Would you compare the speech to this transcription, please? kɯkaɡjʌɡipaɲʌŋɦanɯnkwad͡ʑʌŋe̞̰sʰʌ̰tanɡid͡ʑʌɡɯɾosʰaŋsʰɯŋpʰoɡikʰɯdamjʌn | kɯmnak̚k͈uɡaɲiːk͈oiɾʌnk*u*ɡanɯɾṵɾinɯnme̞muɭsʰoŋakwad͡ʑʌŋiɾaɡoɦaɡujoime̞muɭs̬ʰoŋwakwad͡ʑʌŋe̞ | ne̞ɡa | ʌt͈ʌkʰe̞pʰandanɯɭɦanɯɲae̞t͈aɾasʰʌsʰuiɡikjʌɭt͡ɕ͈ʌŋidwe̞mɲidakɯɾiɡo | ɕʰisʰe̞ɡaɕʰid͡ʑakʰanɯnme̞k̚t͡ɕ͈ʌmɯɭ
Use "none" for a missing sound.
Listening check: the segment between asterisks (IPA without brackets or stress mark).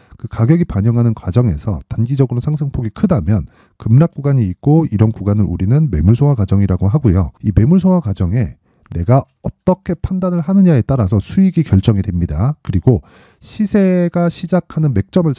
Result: u